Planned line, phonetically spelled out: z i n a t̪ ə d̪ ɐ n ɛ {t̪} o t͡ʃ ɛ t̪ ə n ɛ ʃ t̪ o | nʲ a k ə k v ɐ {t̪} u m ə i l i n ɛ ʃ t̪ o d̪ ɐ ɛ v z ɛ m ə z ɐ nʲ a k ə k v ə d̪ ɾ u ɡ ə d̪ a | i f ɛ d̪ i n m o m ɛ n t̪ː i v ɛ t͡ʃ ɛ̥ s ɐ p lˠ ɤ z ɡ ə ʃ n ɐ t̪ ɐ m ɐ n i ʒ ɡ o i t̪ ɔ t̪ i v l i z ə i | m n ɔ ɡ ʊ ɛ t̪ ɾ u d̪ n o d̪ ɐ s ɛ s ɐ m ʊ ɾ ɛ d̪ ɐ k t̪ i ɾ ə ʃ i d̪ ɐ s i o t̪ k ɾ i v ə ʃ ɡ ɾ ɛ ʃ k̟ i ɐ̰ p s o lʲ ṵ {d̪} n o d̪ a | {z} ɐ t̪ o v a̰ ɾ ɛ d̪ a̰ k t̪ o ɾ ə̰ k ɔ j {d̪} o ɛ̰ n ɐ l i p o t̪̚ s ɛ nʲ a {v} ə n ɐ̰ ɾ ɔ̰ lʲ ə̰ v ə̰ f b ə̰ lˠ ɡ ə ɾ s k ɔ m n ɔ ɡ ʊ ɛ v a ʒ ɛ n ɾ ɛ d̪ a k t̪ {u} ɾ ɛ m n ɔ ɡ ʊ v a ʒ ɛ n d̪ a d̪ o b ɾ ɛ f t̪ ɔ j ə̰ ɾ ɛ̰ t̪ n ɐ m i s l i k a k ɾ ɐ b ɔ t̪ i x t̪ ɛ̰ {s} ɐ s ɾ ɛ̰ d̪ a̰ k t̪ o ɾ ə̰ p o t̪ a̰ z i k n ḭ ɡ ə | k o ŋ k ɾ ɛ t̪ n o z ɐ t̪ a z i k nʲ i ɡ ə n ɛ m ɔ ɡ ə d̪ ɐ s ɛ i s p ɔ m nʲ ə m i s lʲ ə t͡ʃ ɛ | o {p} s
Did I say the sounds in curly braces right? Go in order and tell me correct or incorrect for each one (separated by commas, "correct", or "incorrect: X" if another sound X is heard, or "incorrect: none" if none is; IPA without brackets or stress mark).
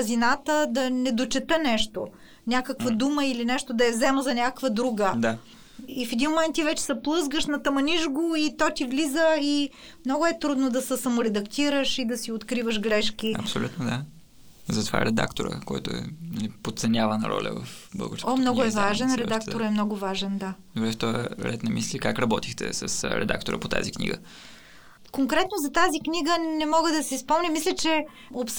incorrect: d̪, incorrect: d̪, incorrect: t̪, correct, incorrect: t̪, correct, incorrect: o, correct, correct